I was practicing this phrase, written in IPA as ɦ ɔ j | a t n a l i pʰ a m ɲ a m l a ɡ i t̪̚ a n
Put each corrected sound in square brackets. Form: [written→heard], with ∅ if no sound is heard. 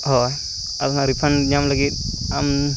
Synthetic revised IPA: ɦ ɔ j | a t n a [l→ɾ] i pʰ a [m→n] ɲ a m l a ɡ i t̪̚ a [n→m]